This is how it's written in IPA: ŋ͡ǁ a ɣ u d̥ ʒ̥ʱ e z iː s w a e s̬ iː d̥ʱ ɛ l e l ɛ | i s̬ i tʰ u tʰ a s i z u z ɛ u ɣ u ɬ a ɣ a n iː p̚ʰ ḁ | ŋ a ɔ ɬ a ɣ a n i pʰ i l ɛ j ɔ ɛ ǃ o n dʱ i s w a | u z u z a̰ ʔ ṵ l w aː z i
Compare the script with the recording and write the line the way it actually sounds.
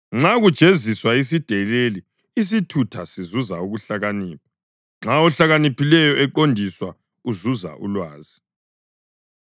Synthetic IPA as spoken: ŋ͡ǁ a ɣ u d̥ ʒ̥ʱ e z i s w a i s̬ i d̥ʱ ɛ l e l i | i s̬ i tʰ u tʰ a s i z u z a u ɣ u ɬ a ɣ a n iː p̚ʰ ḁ | ŋ͡ǁ a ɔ ɬ a ɣ a n i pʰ i l ɛ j ɔ ɛ ǃ o n dʱ i s w a | u z u z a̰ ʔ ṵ l w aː z i